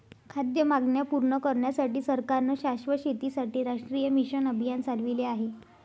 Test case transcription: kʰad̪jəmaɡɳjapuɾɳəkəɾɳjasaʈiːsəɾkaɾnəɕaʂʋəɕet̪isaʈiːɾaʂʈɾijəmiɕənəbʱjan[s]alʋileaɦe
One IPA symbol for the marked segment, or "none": t͡s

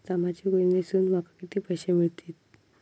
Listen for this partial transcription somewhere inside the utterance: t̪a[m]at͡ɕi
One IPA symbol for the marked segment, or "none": m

